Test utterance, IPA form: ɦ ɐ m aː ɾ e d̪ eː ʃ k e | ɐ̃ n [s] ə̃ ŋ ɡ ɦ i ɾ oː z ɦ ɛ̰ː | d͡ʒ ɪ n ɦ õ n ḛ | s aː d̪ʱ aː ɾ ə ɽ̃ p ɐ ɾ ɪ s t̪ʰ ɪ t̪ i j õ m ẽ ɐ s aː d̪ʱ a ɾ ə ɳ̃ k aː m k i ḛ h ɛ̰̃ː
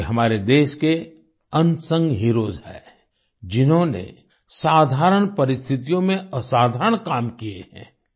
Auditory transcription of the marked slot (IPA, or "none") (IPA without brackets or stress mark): s